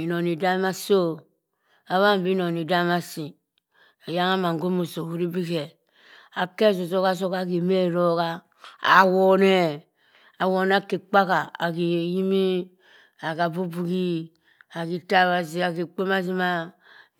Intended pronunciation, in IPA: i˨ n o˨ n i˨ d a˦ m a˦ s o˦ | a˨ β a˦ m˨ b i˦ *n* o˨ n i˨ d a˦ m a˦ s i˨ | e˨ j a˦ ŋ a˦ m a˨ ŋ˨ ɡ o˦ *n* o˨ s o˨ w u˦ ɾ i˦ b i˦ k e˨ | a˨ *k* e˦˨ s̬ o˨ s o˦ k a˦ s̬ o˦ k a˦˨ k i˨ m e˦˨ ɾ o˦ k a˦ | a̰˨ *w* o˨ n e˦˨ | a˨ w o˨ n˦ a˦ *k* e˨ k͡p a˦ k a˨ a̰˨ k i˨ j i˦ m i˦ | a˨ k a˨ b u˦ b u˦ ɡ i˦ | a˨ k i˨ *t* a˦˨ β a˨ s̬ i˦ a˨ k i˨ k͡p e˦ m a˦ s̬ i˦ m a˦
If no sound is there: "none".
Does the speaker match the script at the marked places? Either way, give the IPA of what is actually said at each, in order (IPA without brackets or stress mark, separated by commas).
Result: n, m, k, w, k, t